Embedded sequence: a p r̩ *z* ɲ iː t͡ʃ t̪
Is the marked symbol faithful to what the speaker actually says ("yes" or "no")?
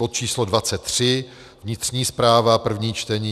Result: no